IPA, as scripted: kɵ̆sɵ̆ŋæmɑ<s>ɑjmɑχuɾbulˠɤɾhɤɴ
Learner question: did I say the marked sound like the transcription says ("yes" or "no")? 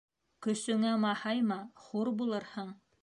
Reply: no